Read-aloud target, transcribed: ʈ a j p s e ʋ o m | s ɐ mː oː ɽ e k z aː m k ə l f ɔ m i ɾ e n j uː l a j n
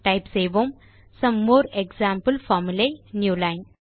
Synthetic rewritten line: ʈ a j p s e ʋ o m | s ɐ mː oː ɾ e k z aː m p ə l f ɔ m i l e n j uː l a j n